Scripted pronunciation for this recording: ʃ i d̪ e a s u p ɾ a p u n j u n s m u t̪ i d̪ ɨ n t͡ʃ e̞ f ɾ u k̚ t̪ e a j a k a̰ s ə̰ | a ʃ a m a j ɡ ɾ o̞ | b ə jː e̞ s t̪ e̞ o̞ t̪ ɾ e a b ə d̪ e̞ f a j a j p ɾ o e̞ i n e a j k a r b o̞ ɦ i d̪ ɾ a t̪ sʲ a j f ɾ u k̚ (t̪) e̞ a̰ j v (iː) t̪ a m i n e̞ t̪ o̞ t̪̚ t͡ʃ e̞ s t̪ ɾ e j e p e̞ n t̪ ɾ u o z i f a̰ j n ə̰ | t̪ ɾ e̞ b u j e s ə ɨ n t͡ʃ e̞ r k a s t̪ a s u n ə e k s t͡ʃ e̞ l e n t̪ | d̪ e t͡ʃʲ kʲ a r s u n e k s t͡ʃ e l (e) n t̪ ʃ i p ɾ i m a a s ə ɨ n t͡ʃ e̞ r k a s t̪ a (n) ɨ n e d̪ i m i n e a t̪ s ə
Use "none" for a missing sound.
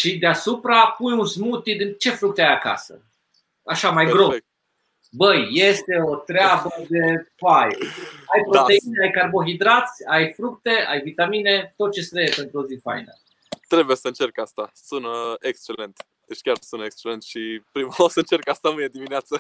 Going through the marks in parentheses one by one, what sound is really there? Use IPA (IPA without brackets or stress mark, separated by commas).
t̪, i, e, m